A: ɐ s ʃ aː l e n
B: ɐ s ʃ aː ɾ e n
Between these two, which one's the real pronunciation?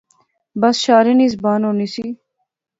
B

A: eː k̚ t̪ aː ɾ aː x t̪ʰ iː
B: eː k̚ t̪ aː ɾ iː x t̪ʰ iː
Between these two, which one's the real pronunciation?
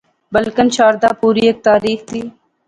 B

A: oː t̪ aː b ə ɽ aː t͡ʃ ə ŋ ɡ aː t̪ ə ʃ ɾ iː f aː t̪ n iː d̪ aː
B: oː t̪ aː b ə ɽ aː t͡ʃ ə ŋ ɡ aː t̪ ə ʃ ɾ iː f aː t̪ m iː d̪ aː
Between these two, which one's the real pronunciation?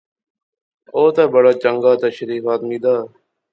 B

